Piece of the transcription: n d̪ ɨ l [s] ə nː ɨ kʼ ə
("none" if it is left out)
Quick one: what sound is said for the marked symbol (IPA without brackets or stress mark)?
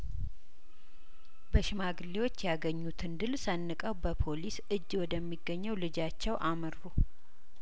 s